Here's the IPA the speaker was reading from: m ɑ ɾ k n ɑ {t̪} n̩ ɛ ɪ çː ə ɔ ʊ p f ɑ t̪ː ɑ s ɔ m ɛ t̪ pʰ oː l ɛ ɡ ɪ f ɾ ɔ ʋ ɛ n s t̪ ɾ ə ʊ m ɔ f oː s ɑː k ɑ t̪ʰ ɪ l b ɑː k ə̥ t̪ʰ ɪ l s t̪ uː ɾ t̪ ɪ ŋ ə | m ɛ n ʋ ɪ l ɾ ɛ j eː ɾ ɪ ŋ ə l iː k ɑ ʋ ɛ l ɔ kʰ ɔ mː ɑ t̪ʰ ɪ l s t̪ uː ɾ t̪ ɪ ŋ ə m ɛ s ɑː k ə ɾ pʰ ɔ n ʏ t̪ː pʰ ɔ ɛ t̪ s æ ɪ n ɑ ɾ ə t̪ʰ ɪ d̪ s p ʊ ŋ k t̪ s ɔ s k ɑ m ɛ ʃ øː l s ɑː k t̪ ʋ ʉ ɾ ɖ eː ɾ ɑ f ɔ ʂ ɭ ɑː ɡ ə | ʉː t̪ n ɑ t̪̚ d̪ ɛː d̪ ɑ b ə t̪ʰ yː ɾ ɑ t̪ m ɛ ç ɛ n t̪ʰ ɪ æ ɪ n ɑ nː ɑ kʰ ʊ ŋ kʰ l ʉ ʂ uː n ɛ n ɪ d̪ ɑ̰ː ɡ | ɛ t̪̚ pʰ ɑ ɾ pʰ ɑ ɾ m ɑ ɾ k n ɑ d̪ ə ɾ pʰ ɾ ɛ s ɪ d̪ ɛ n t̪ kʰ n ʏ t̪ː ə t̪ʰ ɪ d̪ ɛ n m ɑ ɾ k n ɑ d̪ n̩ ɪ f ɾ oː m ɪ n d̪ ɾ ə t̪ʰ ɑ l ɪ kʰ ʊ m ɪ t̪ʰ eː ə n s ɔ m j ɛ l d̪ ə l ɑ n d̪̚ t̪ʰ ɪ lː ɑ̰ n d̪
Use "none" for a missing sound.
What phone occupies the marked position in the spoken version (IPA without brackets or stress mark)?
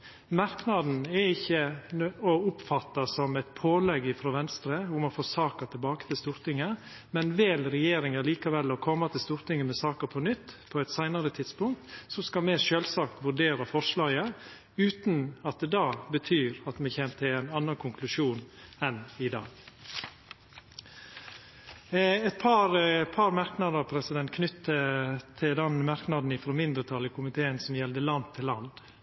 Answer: d̪